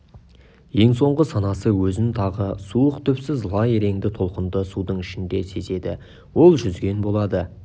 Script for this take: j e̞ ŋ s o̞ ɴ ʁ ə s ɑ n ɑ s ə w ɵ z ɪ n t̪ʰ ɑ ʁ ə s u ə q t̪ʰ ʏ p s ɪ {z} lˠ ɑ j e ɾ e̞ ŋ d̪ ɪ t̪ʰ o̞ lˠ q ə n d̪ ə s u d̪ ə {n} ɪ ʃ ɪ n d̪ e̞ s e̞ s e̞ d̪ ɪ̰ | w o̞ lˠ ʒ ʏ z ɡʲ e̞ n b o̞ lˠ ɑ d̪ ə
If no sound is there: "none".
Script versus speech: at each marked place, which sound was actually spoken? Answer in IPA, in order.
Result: z, ɴ

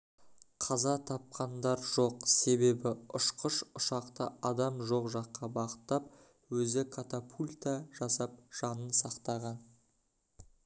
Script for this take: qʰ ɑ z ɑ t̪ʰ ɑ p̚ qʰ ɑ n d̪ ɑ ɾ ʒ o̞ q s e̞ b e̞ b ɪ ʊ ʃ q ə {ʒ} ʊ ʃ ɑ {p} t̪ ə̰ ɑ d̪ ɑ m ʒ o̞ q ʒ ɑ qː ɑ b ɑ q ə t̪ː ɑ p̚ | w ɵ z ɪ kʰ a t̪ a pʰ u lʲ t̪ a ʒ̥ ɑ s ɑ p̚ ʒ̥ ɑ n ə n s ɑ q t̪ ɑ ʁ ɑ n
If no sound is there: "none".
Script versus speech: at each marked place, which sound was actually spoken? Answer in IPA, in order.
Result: ʃ, q

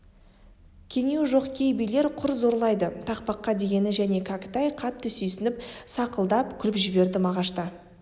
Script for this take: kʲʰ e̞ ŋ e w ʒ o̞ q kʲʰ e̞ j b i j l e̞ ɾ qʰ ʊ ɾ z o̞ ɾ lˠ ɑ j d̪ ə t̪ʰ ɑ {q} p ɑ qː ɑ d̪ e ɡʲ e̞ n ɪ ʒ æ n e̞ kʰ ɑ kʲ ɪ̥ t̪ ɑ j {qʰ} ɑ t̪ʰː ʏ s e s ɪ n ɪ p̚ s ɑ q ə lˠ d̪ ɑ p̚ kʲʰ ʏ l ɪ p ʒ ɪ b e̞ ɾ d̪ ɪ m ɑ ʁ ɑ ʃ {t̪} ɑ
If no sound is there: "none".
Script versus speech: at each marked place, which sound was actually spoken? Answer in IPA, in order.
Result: q, qʰ, t̪

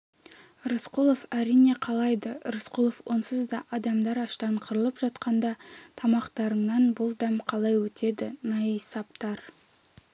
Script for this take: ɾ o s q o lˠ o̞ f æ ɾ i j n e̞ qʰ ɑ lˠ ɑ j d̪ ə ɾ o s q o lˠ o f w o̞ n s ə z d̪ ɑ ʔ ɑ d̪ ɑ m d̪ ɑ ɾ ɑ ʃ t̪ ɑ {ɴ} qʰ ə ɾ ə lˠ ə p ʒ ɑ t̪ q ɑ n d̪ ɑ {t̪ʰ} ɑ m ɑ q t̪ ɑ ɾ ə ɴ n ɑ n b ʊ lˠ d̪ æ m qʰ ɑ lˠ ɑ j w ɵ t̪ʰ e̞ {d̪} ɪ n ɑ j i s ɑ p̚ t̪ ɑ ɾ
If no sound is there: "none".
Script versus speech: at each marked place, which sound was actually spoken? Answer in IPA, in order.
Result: ɴ, t̪ʰ, d̪

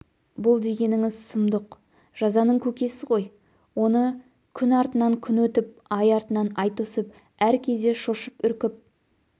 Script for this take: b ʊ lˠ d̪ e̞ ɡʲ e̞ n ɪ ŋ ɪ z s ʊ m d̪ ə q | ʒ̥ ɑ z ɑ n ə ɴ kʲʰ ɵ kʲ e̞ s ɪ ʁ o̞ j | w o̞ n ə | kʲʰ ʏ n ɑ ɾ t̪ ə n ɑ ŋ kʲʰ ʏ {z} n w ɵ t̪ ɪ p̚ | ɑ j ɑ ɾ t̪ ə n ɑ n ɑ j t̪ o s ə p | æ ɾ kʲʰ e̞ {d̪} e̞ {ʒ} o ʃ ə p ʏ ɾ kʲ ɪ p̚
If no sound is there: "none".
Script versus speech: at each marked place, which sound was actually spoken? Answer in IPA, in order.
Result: none, d̪, ʃ

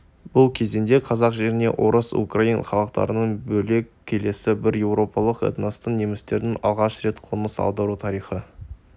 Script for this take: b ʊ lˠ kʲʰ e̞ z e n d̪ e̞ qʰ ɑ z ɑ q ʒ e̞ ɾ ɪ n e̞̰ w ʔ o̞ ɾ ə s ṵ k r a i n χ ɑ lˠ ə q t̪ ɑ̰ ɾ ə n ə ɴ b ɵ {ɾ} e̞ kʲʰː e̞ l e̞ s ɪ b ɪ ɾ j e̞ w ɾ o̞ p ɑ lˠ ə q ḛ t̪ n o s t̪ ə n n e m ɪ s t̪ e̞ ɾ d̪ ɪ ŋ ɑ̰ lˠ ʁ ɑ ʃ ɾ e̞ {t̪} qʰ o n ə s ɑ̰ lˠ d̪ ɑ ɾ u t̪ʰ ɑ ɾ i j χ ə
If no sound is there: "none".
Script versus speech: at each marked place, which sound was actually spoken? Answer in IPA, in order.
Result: l, t̪

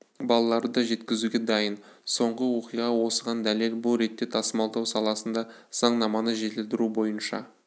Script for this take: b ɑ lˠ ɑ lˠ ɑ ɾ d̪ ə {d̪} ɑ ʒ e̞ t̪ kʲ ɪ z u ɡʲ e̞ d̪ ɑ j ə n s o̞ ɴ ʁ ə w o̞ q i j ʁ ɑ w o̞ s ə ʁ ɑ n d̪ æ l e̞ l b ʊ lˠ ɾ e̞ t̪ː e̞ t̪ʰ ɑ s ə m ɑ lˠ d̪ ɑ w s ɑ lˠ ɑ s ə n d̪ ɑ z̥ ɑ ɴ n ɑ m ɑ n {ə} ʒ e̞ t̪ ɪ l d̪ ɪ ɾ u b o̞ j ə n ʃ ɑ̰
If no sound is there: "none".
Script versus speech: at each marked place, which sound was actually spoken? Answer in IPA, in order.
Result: d̪, ə

